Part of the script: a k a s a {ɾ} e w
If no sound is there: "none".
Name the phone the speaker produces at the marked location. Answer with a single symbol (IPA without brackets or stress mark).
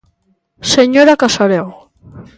ɾ